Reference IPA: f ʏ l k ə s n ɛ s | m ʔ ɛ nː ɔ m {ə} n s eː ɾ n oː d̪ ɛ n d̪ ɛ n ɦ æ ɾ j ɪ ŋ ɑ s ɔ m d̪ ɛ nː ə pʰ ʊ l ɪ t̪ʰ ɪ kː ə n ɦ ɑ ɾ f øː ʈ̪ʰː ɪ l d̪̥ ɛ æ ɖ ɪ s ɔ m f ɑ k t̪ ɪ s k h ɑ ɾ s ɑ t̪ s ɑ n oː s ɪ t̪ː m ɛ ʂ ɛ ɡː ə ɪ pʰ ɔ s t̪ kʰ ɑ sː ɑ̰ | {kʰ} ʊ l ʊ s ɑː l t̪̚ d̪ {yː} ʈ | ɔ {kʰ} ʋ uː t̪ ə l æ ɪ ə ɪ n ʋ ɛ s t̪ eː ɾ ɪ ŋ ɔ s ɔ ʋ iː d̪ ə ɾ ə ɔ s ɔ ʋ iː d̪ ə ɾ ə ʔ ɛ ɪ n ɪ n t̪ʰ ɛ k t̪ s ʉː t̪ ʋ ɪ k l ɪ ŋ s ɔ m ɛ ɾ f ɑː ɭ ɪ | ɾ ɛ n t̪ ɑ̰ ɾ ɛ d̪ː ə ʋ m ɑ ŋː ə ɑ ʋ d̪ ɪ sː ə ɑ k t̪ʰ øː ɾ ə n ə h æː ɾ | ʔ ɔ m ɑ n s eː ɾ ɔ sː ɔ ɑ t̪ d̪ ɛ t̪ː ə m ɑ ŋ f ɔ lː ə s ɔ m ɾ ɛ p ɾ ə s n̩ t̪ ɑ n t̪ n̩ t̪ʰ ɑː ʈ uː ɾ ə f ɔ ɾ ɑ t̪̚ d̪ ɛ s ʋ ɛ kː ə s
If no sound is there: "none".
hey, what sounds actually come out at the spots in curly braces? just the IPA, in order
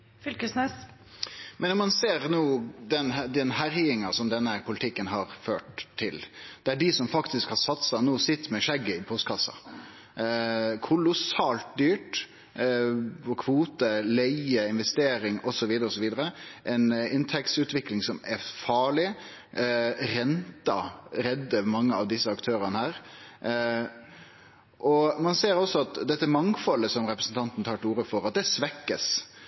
ɑ, kʰ, yː, kʰ

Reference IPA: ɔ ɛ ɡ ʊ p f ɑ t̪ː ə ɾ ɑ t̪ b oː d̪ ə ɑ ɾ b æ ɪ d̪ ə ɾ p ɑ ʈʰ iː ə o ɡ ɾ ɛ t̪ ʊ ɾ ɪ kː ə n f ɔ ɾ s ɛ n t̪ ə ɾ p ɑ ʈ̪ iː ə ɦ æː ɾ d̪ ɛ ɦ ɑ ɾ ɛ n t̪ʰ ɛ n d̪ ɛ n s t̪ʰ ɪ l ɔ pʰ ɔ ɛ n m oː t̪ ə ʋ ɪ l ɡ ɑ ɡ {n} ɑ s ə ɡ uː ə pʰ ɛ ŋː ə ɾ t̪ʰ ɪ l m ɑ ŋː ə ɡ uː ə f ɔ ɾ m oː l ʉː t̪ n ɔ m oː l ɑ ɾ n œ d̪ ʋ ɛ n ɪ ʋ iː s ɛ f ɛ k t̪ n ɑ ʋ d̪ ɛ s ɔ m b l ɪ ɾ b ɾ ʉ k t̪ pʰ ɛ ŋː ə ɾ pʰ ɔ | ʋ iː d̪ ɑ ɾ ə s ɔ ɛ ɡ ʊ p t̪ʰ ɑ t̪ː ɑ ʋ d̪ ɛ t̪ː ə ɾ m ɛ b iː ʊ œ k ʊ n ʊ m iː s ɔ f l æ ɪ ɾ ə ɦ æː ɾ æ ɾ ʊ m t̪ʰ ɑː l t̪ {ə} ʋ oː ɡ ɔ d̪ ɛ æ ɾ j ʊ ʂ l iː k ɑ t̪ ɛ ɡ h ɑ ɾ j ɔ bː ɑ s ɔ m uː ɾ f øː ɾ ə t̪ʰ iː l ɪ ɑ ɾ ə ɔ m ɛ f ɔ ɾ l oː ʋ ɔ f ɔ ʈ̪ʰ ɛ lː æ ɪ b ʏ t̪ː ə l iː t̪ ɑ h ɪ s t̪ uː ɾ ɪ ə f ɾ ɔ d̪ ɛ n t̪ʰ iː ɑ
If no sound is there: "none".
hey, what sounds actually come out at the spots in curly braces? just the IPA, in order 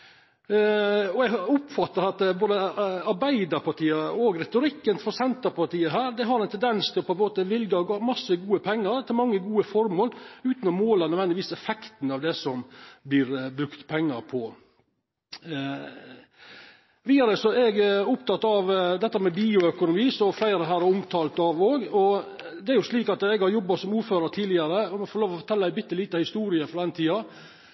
m, ɑ

